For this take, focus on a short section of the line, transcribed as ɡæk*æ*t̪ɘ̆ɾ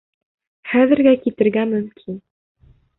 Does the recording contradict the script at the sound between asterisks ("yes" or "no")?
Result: yes